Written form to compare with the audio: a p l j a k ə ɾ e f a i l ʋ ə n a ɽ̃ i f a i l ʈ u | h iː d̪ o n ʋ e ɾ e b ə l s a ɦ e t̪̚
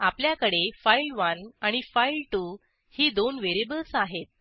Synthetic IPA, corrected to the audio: a p l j a k ə ɽ e f a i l ʋ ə n a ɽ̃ i f a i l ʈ u | h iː d̪ o n ʋ e ɾ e b ə l s a ɦ e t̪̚